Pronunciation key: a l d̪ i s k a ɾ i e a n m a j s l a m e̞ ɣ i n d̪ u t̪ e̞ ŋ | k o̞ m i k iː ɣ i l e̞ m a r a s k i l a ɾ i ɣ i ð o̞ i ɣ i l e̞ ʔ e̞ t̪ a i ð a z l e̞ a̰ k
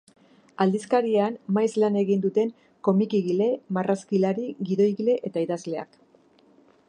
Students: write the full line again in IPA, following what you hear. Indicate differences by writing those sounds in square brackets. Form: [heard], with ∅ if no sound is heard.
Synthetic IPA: a l d̪ i s k a ɾ i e a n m a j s l a [n] e̞ ɣ i n d̪ u t̪ e̞ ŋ | k o̞ m i k [i] ɣ i l e̞ m a r a s k i l a ɾ i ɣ i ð o̞ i ɣ i l e̞ ʔ e̞ t̪ a i ð a z l e̞ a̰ k